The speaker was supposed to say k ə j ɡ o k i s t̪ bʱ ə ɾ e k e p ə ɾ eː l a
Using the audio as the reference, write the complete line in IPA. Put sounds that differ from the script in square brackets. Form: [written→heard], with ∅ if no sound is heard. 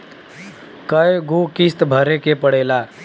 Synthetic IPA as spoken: k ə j ɡ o k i s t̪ bʱ ə ɾ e k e p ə [ɾ→ɽ] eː l a